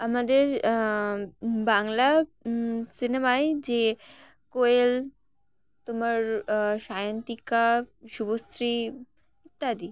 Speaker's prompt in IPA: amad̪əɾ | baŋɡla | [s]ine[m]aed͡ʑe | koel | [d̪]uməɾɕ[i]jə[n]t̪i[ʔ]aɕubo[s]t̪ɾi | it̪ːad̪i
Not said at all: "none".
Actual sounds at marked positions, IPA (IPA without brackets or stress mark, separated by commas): s, m, t̪, a, n, k, s